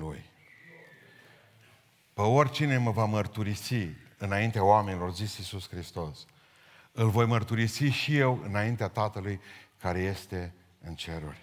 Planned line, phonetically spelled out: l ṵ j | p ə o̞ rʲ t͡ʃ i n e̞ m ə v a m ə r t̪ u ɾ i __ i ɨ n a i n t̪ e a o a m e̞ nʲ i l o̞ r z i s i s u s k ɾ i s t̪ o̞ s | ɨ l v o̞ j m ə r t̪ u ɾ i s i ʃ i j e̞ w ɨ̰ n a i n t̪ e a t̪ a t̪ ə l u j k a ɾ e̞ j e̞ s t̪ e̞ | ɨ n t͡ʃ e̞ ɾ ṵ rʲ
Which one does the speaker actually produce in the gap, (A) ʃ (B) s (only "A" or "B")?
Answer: B